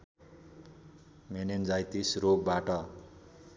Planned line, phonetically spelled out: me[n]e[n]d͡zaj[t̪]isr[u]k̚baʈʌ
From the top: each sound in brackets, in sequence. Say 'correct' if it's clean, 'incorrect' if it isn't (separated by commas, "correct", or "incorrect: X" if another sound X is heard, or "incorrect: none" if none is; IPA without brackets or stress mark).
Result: correct, correct, correct, incorrect: o